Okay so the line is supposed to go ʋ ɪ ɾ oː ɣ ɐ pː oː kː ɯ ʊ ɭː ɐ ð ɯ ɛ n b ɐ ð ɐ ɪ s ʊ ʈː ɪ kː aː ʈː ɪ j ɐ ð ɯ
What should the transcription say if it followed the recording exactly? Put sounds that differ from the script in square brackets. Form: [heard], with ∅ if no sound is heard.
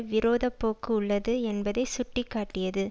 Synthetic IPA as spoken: ʋ ɪ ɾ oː [ð] ɐ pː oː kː ɯ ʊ ɭː ɐ ð ɯ ɛ n b ɐ ð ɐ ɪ s ʊ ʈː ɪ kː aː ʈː ɪ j ɐ ð ɯ